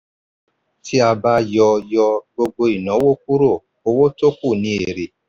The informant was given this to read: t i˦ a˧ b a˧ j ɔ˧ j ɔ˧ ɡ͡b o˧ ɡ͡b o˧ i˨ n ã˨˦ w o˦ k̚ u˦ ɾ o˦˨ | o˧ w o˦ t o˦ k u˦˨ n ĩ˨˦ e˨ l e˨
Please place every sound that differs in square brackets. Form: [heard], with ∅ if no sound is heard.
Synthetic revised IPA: t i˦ a˧ b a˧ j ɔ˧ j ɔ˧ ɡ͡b o˧ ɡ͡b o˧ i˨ n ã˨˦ w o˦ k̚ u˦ ɾ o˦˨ | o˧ w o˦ t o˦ k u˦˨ n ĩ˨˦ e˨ [ɾ] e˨

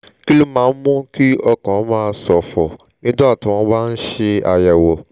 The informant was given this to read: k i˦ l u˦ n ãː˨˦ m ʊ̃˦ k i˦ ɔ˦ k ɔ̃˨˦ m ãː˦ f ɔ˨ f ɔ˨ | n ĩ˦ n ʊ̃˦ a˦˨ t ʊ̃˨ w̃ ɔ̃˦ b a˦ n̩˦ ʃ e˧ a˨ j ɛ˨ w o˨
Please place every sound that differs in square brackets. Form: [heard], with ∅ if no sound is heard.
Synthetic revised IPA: k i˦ l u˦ [m] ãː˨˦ m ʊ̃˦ k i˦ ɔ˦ k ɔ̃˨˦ m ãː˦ [s] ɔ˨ f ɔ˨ | n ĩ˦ [d] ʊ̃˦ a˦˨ t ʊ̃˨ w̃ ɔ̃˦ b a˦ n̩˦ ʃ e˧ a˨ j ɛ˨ w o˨

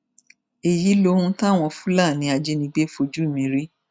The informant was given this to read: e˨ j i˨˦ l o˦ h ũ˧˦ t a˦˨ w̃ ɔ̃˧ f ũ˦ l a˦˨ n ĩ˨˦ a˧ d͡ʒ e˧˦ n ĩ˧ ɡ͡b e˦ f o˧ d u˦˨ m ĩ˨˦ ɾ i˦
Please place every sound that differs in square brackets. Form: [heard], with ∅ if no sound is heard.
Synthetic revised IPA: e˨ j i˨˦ l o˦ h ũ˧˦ t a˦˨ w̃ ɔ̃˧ f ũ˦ l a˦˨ n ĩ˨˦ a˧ d͡ʒ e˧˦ n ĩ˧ ɡ͡b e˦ f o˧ [d͡ʒ] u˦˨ m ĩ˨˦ ɾ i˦

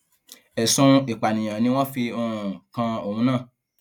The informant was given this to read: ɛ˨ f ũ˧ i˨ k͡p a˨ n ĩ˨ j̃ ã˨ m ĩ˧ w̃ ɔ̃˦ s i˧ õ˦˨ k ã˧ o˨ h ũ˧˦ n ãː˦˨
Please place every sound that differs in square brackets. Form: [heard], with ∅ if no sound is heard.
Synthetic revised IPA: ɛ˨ [s] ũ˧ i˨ k͡p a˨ n ĩ˨ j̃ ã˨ [n] ĩ˧ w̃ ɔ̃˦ [f] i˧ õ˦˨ k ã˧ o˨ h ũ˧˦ n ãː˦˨

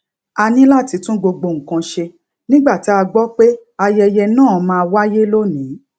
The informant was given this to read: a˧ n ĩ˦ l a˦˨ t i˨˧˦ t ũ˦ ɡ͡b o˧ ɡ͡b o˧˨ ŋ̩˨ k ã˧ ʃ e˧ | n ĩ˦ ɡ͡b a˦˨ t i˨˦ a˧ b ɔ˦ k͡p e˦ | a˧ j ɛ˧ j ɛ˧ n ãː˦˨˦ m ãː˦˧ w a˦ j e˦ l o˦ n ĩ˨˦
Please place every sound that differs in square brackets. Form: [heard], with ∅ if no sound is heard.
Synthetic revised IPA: a˧ n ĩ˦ l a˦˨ t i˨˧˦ t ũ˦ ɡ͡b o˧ ɡ͡b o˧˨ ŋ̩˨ k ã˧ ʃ e˧ | n ĩ˦ ɡ͡b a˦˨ t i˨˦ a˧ [ɡ͡b] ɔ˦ k͡p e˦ | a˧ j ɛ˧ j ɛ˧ n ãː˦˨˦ m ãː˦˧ w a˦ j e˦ l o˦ n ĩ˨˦

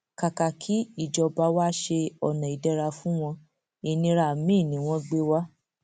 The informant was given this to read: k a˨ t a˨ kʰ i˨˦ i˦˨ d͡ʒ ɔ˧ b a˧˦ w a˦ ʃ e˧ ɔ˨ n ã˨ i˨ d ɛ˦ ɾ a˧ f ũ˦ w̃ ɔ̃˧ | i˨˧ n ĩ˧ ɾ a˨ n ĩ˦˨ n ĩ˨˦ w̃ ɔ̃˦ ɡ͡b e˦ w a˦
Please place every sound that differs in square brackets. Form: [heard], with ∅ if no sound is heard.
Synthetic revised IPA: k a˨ [k] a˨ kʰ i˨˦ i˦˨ d͡ʒ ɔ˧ b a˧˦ w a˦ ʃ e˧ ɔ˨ n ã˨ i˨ d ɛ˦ ɾ a˧ f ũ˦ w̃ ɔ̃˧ | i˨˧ n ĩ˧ ɾ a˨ [m] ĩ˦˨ n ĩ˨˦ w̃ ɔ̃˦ ɡ͡b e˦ w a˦

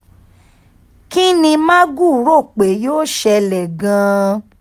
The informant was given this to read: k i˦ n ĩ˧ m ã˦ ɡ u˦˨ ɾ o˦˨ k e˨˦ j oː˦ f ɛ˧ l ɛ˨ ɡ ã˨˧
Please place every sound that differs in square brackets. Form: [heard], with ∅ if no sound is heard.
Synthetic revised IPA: k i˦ n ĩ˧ m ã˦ ɡ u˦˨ ɾ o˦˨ [k͡p] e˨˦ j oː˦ [ʃ] ɛ˧ l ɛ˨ ɡ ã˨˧

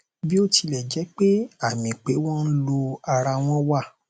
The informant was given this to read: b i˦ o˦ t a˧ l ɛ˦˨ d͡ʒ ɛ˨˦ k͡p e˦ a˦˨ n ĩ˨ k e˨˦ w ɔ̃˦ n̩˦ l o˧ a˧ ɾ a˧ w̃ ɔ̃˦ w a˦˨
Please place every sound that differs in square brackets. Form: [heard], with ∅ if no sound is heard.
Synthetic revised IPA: b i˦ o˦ t [i˧] l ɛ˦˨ d͡ʒ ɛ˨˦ k͡p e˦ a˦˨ [m] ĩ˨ [k͡p] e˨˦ w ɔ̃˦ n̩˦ l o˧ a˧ ɾ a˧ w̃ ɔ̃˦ w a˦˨

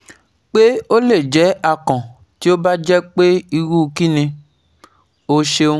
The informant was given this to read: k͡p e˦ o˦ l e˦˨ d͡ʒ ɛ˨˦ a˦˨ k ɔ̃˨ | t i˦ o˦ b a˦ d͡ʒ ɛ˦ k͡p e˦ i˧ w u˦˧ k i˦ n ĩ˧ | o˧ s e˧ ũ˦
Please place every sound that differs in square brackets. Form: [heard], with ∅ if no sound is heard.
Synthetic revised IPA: k͡p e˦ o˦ l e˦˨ d͡ʒ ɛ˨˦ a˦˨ k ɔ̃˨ | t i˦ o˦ b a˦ d͡ʒ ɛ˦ k͡p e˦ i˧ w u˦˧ k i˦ n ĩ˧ | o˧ [ʃ] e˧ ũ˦

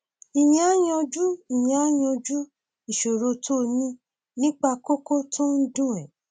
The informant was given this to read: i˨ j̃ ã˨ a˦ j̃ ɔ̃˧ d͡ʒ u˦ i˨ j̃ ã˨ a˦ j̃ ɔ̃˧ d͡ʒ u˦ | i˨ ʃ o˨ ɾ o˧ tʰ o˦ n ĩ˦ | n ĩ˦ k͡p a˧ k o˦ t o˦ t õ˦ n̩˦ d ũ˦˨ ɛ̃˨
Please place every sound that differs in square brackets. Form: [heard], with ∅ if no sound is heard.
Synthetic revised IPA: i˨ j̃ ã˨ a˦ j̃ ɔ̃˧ d͡ʒ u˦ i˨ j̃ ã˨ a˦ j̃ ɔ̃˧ d͡ʒ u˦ | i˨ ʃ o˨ ɾ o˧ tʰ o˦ n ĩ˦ | n ĩ˦ k͡p a˧ k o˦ [k] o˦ t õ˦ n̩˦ d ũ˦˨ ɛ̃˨

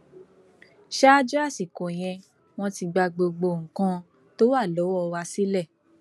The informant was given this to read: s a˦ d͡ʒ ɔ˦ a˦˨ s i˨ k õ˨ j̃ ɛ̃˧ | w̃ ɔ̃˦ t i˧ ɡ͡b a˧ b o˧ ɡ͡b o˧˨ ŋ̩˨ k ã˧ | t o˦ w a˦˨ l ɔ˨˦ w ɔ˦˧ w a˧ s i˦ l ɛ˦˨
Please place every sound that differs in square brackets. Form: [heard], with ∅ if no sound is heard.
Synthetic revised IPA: [ʃ] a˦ d͡ʒ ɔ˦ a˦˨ s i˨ k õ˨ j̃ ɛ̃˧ | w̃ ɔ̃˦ t i˧ ɡ͡b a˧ [ɡ͡b] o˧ ɡ͡b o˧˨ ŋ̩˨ k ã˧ | t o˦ w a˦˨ l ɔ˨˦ w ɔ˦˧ w a˧ s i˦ l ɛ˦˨

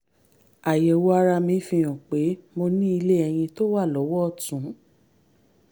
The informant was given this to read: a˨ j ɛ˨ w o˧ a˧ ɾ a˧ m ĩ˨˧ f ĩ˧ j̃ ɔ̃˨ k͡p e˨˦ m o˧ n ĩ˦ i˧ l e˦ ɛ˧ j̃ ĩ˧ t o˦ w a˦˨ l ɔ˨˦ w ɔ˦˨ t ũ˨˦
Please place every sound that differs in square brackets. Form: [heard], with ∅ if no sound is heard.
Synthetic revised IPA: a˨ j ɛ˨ w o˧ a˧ ɾ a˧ m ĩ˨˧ f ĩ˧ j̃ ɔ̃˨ k͡p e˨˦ m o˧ n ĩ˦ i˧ l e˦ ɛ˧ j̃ ĩ˧ t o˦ w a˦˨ l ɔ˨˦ w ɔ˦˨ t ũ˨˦

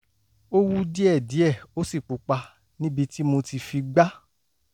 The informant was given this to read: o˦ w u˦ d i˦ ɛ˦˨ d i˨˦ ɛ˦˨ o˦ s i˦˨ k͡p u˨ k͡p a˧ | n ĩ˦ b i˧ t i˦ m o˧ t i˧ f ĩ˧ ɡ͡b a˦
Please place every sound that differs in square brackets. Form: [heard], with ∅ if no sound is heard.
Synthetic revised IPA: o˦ w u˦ d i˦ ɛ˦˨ d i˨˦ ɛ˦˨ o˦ s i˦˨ k͡p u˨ k͡p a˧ | n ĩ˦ b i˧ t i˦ m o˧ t i˧ f [i˧] ɡ͡b a˦

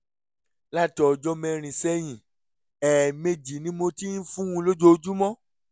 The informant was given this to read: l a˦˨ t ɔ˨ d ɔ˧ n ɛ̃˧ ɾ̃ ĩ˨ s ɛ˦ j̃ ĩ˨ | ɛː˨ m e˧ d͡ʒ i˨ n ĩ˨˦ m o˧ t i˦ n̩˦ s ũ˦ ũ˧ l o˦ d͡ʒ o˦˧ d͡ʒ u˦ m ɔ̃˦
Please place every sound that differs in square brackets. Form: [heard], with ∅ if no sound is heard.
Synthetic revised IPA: l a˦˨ t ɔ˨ [d͡ʒ] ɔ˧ [m] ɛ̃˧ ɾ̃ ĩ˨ s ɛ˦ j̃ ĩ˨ | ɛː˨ m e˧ d͡ʒ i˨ n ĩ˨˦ m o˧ t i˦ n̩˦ [f] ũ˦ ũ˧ l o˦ d͡ʒ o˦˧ d͡ʒ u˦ m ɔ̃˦

